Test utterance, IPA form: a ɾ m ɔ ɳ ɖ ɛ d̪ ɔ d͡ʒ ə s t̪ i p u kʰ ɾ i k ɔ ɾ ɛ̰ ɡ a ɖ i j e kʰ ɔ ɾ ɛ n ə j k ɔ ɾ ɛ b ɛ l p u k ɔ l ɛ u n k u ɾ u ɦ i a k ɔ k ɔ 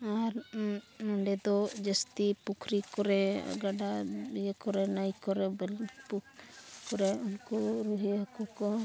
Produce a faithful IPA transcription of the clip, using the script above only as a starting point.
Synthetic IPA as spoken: a ɾ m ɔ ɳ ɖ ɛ d̪ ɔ d͡ʒ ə s t̪ i p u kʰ ɾ i k ɔ ɾ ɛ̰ ɡ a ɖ a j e k ɔ ɾ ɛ n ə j k ɔ ɾ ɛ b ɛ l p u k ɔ ɾ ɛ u n k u ɾ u ɦ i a k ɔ k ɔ